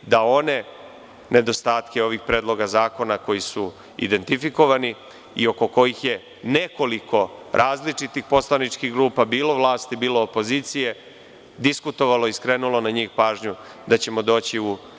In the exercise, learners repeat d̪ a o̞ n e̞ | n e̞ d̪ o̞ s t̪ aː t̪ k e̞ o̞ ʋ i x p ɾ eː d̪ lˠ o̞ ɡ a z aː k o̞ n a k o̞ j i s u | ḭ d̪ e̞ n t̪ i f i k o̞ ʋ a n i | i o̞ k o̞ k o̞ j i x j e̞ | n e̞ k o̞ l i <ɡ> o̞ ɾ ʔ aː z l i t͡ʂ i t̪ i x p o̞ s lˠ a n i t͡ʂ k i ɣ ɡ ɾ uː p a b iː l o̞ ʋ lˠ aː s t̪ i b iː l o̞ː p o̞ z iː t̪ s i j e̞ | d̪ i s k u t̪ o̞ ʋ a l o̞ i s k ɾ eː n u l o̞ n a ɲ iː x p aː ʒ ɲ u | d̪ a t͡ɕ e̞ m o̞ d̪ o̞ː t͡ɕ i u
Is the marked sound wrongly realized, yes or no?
yes